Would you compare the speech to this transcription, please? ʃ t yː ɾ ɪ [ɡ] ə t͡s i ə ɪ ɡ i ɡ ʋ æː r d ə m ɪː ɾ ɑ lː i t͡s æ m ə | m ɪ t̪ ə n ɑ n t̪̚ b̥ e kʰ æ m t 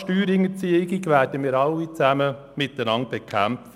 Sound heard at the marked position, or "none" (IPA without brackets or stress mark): ŋ